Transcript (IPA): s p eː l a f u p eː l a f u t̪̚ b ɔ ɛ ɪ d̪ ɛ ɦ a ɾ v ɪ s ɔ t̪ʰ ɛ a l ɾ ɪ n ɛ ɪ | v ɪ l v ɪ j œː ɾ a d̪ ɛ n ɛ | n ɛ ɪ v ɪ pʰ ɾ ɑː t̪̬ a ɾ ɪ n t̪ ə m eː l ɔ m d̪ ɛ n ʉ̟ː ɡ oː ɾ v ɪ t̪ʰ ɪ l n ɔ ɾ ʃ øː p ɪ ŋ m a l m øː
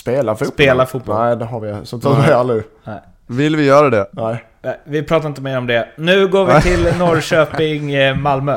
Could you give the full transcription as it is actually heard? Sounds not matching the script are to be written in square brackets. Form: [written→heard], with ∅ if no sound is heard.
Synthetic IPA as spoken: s p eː l a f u p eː l a f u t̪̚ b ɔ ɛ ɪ d̪ ɛ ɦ a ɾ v ɪ s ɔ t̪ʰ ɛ a l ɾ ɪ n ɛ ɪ | v ɪ l v ɪ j œː ɾ a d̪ ɛ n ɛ | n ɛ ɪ v ɪ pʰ ɾ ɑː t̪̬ a ɾ ɪ n t̪ ə m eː [l→ɾ] ɔ m d̪ ɛ n ʉ̟ː ɡ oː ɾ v ɪ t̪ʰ ɪ l n ɔ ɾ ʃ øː p ɪ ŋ m a l m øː